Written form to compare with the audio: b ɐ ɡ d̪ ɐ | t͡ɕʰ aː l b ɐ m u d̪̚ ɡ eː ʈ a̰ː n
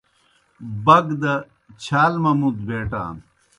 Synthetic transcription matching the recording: b ɐ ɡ d̪ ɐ | t͡ɕʰ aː l m ɐ m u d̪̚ b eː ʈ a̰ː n